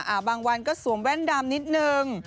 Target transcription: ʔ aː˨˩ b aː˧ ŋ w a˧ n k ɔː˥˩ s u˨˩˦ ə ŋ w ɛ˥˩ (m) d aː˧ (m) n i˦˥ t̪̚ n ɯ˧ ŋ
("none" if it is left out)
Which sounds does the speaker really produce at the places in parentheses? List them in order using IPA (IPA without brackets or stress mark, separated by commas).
n, m